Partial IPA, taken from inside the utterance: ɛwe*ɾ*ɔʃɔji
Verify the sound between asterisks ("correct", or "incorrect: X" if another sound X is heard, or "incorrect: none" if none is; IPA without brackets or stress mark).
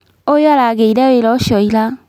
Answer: incorrect: l